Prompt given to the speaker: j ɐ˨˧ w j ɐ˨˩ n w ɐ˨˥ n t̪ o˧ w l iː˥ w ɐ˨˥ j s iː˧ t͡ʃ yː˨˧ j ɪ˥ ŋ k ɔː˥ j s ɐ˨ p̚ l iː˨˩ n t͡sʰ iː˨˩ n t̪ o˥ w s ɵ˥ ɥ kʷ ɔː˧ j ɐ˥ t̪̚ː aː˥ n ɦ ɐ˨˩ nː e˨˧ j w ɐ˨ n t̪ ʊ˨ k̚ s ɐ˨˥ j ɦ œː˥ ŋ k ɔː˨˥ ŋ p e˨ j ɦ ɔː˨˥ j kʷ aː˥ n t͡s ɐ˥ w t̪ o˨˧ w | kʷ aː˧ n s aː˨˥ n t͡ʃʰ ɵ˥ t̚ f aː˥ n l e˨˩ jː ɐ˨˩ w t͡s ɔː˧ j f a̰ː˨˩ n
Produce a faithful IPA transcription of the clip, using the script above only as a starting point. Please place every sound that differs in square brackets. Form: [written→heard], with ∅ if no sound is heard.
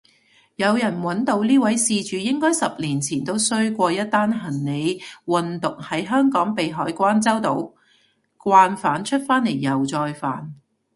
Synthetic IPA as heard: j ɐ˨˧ w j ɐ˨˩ n w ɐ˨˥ n t̪ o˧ w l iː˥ w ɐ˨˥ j s iː˧ t͡ʃ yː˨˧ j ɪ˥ ŋ k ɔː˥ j s ɐ˨ p̚ l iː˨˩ n t͡sʰ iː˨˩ n t̪ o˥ w s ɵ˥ ɥ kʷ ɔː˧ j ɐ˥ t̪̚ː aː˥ n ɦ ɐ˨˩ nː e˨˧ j w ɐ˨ n t̪ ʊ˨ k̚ [s→h] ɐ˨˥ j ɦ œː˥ ŋ k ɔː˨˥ ŋ p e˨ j ɦ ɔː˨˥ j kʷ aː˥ n t͡s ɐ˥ w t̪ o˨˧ w | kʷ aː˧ n [s→f] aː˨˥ n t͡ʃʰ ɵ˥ t̚ f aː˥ n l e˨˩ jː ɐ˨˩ w t͡s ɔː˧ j f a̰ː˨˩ n